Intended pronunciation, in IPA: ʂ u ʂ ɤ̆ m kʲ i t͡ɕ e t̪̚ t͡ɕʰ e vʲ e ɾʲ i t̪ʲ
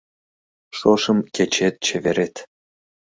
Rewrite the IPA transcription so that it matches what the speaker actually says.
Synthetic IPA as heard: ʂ o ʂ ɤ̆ m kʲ e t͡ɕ e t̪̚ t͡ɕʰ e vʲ e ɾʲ e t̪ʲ